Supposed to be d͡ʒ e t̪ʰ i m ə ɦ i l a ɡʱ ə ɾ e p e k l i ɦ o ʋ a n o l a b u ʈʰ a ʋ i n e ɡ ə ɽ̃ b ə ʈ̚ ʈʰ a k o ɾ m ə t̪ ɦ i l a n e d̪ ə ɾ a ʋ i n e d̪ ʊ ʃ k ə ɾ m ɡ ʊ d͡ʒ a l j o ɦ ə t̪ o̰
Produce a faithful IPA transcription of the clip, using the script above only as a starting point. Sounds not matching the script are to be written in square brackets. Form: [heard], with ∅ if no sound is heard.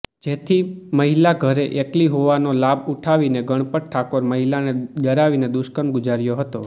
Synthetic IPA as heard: d͡ʒ e t̪ʰ i m ə ɦ i l a ɡʱ ə ɾ e [ʔ] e k l i ɦ o ʋ a n o l a b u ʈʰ a ʋ i n e ɡ ə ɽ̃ [p] ə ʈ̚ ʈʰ a k o ɾ m ə [∅] ɦ i l a n e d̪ ə ɾ a ʋ i n e d̪ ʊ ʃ k ə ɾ m ɡ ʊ d͡ʒ a [ɾ] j o ɦ ə t̪ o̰